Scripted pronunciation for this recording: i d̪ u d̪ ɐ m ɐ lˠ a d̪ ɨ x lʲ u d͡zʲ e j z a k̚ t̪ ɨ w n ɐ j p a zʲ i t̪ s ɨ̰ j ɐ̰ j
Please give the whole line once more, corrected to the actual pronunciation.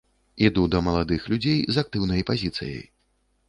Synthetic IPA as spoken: i d̪ u d̪ ɐ m ɐ lˠ a d̪ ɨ x lʲ u d͡zʲ e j z a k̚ t̪ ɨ w n ɐ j p a zʲ i t̪ s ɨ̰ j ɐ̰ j